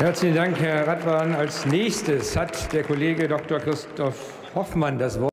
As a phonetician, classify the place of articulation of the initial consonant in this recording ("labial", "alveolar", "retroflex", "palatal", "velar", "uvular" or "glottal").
glottal